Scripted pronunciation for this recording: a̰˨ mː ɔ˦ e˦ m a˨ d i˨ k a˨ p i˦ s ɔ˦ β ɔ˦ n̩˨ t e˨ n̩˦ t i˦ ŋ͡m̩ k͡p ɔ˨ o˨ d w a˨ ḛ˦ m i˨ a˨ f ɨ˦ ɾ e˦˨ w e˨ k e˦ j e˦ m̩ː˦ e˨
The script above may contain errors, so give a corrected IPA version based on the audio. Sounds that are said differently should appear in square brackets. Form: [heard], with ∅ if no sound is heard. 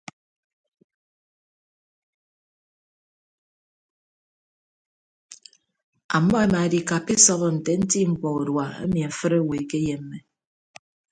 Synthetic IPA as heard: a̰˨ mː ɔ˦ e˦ m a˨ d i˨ k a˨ p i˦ s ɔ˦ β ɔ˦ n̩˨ t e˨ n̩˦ t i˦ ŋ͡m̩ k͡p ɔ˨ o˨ d w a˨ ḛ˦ m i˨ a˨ f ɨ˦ ɾ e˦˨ w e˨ k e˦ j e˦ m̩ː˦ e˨

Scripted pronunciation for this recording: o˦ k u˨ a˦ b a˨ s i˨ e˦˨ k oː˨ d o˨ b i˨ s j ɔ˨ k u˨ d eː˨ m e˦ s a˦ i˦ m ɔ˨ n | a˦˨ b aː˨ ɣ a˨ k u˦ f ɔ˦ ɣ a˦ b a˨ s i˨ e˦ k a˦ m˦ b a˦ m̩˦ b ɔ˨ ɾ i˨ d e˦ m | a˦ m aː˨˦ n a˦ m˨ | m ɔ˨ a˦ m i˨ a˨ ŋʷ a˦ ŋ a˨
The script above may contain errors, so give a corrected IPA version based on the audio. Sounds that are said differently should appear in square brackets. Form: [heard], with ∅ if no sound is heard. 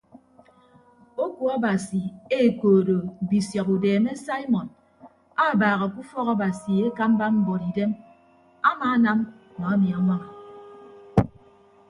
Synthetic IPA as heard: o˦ k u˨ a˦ b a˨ s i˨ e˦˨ k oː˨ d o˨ b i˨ s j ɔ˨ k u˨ d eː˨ m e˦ s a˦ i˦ m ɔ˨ n | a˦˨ b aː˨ ɣ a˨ k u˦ f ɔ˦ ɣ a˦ b a˨ s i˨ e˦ k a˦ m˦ b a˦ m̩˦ b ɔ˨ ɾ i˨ d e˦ m | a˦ m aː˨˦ n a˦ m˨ | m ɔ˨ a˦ m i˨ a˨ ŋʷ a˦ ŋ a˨

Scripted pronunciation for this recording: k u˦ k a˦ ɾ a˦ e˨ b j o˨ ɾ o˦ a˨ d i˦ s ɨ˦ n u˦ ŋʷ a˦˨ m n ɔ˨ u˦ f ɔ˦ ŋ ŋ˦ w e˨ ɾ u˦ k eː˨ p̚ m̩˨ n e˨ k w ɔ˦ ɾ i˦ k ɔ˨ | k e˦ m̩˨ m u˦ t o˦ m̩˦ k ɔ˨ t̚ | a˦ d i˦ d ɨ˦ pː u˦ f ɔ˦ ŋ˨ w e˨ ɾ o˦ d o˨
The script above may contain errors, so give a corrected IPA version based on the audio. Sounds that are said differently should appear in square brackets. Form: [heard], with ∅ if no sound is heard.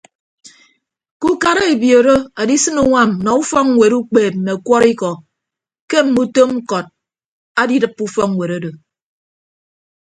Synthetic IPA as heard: k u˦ k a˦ ɾ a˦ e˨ b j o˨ ɾ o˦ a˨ d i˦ s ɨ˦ n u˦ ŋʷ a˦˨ m n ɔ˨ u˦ f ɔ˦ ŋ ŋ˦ w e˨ ɾ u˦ [k͡p] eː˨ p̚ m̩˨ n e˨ k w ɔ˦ ɾ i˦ k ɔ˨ | k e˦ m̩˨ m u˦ t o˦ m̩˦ k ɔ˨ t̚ | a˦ d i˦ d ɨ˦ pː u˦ f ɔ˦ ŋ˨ w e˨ ɾ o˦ d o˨

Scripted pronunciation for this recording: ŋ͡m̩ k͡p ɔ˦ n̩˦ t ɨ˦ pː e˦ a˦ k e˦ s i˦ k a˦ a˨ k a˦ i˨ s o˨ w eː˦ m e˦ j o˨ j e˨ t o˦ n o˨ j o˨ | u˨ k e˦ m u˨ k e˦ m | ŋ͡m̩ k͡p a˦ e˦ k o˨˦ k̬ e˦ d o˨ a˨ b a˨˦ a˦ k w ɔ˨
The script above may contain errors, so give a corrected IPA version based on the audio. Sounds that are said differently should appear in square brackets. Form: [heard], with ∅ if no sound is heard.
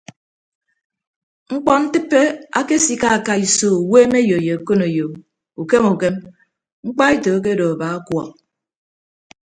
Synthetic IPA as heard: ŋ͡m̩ k͡p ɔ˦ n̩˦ t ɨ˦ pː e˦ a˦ k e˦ s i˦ k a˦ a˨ k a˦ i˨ s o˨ w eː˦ m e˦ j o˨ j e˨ [k] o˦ n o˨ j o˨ | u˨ k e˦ m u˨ k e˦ m | ŋ͡m̩ k͡p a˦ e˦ [t] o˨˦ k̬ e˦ d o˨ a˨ b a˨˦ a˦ k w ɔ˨

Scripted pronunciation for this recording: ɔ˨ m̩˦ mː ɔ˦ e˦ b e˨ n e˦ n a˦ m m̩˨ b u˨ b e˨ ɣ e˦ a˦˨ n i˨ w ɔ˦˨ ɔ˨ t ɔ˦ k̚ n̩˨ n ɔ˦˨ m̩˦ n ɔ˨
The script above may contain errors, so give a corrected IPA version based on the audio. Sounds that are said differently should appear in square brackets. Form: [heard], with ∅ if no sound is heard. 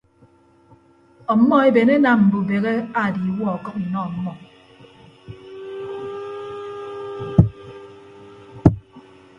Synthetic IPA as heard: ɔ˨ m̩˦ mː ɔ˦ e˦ b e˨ n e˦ n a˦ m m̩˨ b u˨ b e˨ ɣ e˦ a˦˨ [d] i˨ w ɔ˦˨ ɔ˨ [k] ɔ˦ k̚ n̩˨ n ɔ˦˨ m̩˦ [m] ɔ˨

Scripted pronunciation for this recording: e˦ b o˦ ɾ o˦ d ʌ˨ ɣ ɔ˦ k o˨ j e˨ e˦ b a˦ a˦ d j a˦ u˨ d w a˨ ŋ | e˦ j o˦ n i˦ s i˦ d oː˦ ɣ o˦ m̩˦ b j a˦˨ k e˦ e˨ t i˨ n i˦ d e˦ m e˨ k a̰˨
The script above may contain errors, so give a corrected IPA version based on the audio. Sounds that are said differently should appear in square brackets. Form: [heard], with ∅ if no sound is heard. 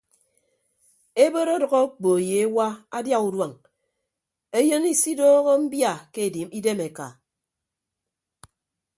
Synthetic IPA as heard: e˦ b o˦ ɾ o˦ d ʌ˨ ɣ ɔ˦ [k͡p] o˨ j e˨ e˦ [w] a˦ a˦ d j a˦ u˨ d w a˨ ŋ | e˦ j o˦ n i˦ s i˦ d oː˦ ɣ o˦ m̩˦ b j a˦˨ k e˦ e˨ [d] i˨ [m] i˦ d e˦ m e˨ k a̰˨

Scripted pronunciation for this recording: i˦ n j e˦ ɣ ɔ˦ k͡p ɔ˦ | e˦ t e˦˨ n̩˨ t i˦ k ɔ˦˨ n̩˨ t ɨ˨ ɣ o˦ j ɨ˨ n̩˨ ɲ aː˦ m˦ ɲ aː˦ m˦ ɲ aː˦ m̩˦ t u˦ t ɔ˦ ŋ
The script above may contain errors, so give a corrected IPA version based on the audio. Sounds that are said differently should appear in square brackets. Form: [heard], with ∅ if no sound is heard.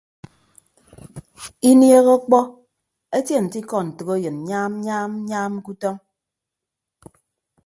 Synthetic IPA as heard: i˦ n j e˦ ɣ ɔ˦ k͡p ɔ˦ | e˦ t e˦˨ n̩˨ t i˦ k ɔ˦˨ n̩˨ t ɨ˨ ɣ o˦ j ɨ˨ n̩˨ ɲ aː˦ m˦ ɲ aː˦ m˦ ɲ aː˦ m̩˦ [k] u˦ t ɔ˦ ŋ

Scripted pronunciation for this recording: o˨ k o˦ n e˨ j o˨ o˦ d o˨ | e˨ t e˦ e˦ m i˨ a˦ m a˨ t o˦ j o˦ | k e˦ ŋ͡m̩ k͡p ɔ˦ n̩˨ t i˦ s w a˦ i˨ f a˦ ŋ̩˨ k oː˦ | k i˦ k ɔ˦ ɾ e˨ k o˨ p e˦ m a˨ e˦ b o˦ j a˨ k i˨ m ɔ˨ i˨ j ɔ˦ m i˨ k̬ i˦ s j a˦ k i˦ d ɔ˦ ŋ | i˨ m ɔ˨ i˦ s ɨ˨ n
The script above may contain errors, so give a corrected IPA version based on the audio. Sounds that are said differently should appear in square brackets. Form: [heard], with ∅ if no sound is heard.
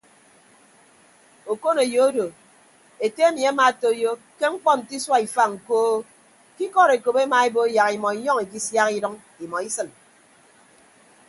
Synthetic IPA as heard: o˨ k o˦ n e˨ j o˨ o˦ d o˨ | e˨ t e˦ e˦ m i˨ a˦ m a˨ t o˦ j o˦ | k e˦ ŋ͡m̩ k͡p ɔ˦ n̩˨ t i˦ s w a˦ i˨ f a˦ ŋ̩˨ k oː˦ | k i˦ k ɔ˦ ɾ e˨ k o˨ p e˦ m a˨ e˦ b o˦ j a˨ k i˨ m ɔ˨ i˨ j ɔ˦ [ŋ] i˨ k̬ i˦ s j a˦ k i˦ d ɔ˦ ŋ | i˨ m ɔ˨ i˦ s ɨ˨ n

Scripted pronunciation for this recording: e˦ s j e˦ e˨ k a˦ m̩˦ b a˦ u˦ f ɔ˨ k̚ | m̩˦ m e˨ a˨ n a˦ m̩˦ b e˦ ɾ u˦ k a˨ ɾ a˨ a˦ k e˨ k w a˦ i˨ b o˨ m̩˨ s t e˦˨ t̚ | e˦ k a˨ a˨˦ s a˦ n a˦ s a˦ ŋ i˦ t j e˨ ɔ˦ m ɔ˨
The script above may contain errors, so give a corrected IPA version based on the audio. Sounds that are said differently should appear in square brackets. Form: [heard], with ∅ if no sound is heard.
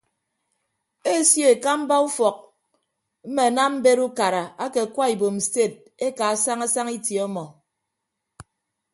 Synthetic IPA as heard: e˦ s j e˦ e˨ k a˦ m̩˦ b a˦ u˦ f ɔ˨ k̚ | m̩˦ m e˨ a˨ n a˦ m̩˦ b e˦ ɾ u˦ k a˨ ɾ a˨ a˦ k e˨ k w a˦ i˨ b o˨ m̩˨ s t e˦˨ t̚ | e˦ k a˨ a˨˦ s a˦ [ŋ] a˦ s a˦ ŋ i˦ t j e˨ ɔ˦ m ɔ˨

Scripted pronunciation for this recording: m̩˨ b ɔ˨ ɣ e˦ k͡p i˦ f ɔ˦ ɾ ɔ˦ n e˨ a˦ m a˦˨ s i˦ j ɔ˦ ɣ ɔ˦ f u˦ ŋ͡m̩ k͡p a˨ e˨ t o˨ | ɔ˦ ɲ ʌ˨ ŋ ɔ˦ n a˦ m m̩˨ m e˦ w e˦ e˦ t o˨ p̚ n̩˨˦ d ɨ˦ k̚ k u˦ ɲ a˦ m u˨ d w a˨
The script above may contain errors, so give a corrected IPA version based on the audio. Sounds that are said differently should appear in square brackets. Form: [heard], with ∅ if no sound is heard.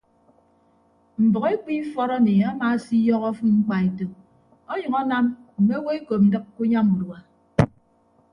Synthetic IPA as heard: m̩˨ b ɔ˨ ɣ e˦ k͡p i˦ f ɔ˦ ɾ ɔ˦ n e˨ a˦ m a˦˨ s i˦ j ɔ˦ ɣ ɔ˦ f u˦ ŋ͡m̩ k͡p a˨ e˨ t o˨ | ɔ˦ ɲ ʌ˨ ŋ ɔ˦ n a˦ m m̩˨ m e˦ w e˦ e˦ [k] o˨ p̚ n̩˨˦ d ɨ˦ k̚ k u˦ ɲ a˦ m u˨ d w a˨

